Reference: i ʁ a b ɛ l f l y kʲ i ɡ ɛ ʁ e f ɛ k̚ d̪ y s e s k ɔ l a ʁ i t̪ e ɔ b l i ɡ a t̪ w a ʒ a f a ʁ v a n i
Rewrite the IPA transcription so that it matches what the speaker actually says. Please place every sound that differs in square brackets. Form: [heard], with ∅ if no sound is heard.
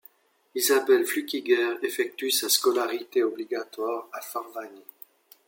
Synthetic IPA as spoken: i [z] a b ɛ l f l y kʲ i ɡ ɛ ʁ e f ɛ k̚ [t̪] y s [a] s k ɔ l a ʁ i t̪ e ɔ b l i ɡ a t̪ w a [ʁ] a f a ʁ v a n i